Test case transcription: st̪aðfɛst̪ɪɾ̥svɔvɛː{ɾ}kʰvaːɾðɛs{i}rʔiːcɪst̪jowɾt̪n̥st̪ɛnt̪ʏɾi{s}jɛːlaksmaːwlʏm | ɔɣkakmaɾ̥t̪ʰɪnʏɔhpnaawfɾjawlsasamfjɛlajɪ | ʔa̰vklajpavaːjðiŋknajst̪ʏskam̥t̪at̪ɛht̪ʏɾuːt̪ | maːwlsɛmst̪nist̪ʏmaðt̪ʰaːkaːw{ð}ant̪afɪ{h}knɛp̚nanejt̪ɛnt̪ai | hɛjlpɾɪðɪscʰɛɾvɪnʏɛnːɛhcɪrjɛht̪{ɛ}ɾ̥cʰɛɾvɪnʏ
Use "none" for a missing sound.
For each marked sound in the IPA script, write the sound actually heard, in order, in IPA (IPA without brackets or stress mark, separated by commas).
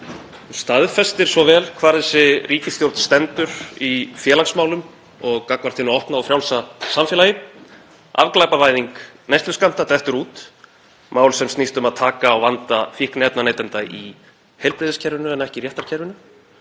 l, ɪ, f, v, h, a